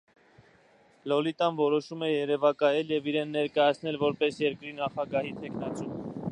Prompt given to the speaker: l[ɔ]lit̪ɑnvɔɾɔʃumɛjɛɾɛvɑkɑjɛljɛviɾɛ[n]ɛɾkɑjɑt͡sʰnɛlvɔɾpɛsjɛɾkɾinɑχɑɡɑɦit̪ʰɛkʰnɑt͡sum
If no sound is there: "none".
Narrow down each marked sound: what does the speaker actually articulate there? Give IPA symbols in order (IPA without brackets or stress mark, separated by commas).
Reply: ɔ, nː